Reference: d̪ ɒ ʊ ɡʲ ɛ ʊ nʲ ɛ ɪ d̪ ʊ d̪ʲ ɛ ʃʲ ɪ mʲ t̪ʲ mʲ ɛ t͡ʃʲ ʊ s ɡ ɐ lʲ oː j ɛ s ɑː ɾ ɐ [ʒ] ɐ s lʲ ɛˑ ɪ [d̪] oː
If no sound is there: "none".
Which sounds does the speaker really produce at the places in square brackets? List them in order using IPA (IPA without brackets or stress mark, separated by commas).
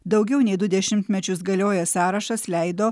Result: ʃ, d̪